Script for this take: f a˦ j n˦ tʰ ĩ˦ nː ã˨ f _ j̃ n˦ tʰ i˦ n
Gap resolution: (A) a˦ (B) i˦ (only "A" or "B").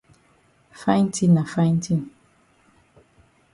A